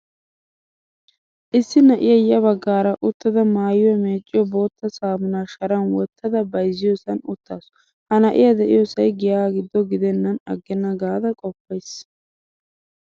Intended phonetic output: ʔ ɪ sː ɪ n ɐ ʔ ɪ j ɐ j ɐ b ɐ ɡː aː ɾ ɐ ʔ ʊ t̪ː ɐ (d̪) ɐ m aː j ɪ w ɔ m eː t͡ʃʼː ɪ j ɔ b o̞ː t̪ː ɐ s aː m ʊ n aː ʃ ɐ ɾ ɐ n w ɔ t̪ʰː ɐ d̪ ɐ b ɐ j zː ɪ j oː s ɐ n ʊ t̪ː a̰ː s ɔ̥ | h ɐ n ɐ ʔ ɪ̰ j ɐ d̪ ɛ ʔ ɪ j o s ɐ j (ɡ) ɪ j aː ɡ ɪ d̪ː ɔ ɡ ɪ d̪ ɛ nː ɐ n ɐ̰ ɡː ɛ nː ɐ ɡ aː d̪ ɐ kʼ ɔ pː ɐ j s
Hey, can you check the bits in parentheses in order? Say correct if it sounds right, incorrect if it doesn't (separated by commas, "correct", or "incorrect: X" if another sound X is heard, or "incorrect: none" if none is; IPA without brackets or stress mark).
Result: correct, correct